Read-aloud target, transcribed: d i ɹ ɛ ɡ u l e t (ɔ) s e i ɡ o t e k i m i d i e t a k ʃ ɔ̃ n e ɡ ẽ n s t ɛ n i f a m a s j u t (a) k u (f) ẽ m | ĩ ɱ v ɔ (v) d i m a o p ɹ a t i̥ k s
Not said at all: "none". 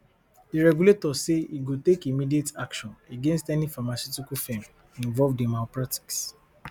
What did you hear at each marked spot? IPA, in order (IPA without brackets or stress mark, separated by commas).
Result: ɔ, i, f, v